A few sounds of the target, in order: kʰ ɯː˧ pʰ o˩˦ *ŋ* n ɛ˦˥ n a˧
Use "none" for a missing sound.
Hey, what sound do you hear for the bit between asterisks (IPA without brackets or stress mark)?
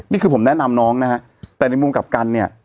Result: m